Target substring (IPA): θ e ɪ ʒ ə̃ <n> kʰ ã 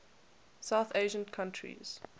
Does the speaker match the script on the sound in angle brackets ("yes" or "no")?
yes